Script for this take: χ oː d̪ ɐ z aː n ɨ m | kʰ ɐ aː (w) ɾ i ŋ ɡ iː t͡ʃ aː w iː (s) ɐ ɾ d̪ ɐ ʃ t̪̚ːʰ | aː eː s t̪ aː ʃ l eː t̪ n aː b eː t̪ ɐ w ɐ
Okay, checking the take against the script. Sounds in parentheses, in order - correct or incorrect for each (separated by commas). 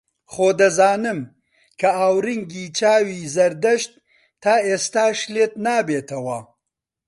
correct, incorrect